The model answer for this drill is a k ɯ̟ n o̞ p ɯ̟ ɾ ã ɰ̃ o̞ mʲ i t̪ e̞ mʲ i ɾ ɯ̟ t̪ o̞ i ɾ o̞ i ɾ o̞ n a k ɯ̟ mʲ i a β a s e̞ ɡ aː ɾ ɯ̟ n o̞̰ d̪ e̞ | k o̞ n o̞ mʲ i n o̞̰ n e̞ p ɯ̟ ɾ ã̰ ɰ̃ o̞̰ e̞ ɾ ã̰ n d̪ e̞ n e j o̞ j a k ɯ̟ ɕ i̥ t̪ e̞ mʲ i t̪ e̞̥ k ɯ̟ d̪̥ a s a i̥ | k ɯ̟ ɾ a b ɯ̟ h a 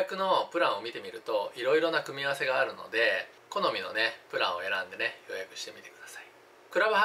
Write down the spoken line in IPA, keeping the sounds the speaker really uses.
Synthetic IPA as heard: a k ɯ̟ n o̞ p ɯ̟ ɾ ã ɰ̃ o̞ mʲ i t̪ e̞ mʲ i ɾ ɯ̟ t̪ o̞ i ɾ o̞ i ɾ o̞ n a k ɯ̟ mʲ i a β a s e̞ ɡ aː ɾ ɯ̟ n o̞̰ d̪ e̞ | k o̞ n o̞ mʲ i n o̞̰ n e̞ p ɯ̟ ɾ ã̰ ɰ̃ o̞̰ e̞ ɾ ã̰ n d̪ e̞ n e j o̞ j a k ɯ̟ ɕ i̥ t̪ e̞ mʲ i t̪ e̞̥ k ɯ̟ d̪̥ a s a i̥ | k ɯ̟ ɾ a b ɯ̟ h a